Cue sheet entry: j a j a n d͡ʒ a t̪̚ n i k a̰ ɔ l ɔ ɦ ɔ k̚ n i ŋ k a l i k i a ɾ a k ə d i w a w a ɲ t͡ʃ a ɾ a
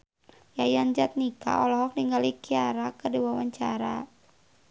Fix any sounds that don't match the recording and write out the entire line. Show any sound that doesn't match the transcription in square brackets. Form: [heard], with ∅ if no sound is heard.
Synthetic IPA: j a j a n d͡ʒ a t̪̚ n i k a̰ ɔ l ɔ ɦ ɔ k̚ n i ŋ [ɡ] a l i k i a ɾ a k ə d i w a w a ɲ t͡ʃ a ɾ a